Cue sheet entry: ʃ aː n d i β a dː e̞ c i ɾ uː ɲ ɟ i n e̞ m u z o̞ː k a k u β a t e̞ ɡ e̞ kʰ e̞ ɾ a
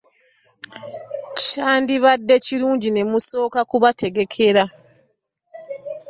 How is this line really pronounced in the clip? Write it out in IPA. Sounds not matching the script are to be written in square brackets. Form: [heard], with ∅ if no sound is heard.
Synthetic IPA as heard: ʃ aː n d i β a dː e̞ c i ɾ uː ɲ ɟ i n e̞ m u [s] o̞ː k a k u β a t e̞ ɡ e̞ kʰ e̞ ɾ a